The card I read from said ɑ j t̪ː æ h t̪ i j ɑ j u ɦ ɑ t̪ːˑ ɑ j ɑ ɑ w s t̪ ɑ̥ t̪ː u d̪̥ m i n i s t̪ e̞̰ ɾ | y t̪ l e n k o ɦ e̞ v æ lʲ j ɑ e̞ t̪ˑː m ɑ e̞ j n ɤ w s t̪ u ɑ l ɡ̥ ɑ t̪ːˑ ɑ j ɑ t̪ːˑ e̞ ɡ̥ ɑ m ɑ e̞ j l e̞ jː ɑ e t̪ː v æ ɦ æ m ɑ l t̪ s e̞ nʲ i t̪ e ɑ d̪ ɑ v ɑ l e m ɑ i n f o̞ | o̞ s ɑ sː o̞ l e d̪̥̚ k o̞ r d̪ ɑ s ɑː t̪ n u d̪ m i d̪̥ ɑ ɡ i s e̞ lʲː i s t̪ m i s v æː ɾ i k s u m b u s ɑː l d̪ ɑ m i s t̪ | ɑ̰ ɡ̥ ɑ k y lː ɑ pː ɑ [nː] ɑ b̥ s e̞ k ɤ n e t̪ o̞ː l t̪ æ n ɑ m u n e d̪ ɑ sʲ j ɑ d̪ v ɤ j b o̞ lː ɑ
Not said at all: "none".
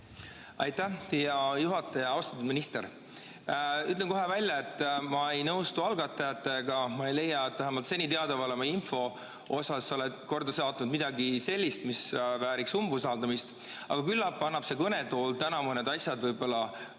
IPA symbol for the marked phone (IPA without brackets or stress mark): nː